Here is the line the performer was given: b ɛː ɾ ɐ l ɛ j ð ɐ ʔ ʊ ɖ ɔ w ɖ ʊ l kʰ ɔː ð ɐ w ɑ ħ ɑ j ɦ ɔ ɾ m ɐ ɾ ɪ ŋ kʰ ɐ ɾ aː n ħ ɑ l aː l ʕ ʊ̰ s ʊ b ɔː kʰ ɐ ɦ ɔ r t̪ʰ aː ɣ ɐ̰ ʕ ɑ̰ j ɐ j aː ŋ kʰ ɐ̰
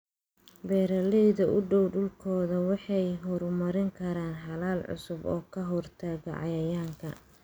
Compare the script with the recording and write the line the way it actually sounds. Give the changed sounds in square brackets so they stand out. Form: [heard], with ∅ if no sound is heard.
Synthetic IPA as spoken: b ɛː ɾ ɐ l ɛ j ð ɐ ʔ ʊ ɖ ɔ w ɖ ʊ l kʰ ɔː ð ɐ w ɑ ħ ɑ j ɦ ɔ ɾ m ɐ ɾ ɪ ŋ kʰ ɐ ɾ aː n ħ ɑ l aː l ʕ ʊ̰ s ʊ b ɔː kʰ ɐ ɦ ɔ r t̪ʰ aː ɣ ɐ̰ ʕ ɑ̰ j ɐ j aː ŋ kʰ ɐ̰